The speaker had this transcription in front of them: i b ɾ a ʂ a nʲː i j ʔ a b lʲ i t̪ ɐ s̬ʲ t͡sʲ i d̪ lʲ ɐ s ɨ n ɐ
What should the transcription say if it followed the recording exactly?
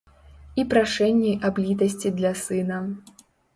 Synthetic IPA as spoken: i p ɾ a ʂ ɛ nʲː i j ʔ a b lʲ i t̪ ɐ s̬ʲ t͡sʲ i d̪ lʲ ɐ s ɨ n ɐ